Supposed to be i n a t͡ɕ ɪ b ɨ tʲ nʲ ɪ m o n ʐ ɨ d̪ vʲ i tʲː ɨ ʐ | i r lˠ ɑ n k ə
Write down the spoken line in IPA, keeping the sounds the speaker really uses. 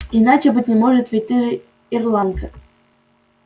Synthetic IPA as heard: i n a t͡ɕ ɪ b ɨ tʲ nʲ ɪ m o ʐ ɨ t̪ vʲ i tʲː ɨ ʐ | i r lˠ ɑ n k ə